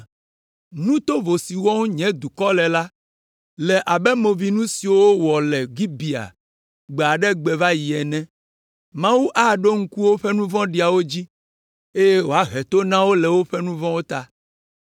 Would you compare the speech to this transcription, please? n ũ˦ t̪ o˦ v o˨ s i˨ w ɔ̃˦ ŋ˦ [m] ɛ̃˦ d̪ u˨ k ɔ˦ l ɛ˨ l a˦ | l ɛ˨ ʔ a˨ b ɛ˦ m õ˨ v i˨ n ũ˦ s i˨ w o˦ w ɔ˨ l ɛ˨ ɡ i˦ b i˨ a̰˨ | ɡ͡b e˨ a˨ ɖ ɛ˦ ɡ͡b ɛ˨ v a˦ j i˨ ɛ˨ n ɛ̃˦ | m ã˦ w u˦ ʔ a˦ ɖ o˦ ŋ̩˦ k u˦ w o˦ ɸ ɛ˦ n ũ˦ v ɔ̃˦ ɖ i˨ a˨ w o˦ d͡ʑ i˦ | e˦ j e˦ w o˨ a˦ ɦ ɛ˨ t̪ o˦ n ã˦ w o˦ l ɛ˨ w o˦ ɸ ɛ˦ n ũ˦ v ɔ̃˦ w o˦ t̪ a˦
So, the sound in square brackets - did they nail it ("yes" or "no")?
no